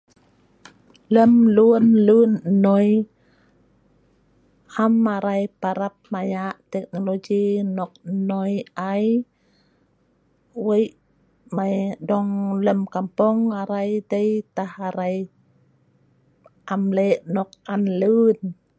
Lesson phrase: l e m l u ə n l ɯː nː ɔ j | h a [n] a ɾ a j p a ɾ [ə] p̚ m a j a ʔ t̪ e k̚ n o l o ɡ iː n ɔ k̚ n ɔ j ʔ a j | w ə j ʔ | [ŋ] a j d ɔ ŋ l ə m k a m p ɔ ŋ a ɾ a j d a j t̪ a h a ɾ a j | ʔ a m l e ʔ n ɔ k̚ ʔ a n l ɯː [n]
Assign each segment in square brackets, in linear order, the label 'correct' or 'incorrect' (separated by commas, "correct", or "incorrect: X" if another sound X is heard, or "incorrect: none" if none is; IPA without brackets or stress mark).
incorrect: m, incorrect: a, incorrect: m, correct